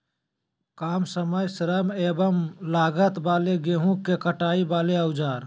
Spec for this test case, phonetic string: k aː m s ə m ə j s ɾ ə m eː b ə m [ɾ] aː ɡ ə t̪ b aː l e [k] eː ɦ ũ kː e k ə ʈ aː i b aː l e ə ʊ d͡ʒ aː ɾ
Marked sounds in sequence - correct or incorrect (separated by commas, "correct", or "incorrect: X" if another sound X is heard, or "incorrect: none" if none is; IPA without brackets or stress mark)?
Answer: incorrect: l, incorrect: ɡ